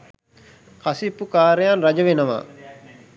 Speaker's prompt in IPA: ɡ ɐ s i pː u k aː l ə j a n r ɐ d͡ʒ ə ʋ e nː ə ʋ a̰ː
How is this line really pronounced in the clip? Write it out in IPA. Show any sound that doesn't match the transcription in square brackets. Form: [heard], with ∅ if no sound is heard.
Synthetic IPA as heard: [k] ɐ s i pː u k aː [ɾ] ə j a n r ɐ d͡ʒ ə ʋ e [n] ə ʋ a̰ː

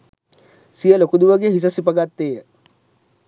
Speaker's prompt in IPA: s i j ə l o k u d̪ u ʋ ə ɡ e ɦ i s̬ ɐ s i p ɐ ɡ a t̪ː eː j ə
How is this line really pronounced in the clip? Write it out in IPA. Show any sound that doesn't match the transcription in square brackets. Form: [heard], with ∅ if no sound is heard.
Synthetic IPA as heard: s i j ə l o k u d̪ u ʋ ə ɡ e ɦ i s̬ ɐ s i p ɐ ɡ a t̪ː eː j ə

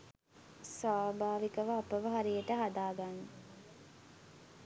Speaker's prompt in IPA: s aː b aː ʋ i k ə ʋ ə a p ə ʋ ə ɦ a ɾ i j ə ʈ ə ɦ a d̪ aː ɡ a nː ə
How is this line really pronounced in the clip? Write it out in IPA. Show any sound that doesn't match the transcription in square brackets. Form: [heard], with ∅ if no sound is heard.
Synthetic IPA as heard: s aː b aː ʋ i k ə ʋ ə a p ə ʋ ə ɦ a ɾ i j ə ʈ ə ɦ a d̪ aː ɡ a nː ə

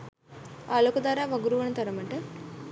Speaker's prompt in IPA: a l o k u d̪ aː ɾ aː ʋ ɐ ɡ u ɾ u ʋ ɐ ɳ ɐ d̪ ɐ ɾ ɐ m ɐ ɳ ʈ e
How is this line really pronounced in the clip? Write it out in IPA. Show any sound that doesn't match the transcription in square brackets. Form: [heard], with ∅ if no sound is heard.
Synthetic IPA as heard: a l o k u d̪ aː ɾ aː ʋ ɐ ɡ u ɾ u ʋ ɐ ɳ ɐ [t̪] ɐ ɾ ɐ m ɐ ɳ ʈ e

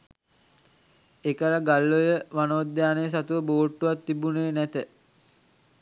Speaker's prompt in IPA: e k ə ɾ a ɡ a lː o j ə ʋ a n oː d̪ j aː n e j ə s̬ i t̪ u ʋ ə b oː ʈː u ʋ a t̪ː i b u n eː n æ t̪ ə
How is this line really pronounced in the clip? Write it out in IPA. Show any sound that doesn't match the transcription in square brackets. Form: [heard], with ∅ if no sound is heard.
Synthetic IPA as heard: e k ə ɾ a ɡ a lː o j ə ʋ a n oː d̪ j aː n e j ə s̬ [a] t̪ u ʋ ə b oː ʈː u ʋ a t̪ː i b u n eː n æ t̪ ə

